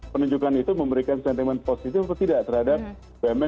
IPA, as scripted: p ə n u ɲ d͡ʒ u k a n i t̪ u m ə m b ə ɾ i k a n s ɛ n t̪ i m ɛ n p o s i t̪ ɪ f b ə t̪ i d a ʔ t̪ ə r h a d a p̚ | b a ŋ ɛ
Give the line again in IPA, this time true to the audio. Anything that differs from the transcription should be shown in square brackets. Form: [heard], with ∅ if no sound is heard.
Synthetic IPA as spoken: p ə n u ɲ d͡ʒ u k a n i t̪ u m ə m b ə ɾ i k a n s ɛ n t̪ i m ɛ n p o s i t̪ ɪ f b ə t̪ i d a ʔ t̪ ə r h a d a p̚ | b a [m] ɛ